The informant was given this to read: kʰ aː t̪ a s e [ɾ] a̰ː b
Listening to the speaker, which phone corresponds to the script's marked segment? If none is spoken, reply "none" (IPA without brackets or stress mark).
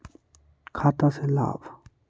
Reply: l